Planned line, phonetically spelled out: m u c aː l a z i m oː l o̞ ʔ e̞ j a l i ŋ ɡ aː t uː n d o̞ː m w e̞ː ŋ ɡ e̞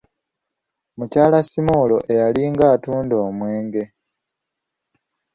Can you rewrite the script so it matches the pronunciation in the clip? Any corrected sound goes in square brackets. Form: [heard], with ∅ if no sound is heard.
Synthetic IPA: m u c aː l a [s] i m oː l o̞ ʔ e̞ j a l i ŋ ɡ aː t uː n d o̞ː m w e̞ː ŋ ɡ e̞